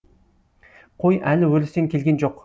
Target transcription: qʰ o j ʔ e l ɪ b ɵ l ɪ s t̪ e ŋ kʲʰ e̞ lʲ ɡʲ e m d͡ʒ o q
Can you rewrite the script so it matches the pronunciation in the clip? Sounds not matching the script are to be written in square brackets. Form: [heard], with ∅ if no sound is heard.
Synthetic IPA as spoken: qʰ o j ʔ [æ] l ɪ [w] ɵ l ɪ s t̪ e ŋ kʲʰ e̞ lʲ ɡʲ e [n] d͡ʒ o q